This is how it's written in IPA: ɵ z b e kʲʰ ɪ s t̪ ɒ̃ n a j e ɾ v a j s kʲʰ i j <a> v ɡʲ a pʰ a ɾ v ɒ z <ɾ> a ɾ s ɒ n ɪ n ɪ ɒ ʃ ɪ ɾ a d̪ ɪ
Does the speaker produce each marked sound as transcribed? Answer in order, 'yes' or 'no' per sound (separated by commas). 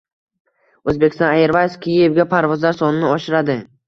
no, no